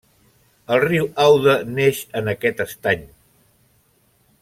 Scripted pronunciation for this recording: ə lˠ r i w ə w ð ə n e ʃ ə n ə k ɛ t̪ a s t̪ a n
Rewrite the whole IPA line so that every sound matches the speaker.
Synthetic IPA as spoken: ə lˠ r i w a w ð ə n e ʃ ə n ə k ɛ t̪ ə s t̪ a ɲ